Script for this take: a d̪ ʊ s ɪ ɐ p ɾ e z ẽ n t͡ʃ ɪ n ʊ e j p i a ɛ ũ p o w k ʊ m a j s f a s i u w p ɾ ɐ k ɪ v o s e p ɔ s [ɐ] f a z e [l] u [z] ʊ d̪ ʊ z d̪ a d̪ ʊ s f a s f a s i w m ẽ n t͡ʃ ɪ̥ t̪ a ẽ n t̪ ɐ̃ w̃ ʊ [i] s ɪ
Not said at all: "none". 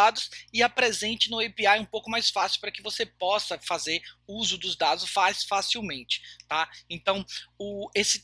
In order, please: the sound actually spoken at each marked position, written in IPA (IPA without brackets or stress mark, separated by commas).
ɐ, ɾ, z, e